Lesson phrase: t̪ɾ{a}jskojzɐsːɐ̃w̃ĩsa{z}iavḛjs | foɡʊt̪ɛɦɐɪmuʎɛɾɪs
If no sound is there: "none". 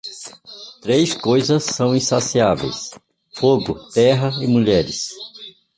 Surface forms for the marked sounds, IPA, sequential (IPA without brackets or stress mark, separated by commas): e, s